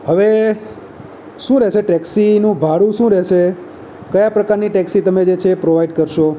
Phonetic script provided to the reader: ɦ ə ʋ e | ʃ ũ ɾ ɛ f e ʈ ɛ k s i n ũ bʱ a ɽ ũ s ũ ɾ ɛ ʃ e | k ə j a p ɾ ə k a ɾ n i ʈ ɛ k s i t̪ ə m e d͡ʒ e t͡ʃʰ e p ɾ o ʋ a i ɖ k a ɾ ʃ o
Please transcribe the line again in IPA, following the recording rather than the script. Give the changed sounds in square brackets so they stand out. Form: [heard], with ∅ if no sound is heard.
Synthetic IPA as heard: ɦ ə ʋ e | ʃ ũ ɾ ɛ [ʃ] e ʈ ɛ k s i n ũ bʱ a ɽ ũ [ʃ] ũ ɾ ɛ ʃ e | k ə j a p ɾ ə k a ɾ n i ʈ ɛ k s i t̪ ə m e d͡ʒ e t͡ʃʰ e p ɾ o ʋ a i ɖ k [ə] ɾ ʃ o